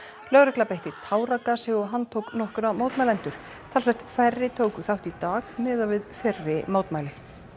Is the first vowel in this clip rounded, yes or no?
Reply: yes